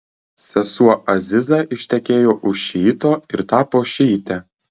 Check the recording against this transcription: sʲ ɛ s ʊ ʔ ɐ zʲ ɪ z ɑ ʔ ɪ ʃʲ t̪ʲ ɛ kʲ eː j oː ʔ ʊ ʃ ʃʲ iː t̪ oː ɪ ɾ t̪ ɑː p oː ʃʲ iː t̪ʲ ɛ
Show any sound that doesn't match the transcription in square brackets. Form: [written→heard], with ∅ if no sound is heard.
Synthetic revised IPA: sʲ ɛ s [ʊ→u] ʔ ɐ zʲ ɪ z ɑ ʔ ɪ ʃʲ t̪ʲ ɛ kʲ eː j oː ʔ ʊ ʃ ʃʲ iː t̪ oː ɪ ɾ t̪ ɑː p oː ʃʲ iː t̪ʲ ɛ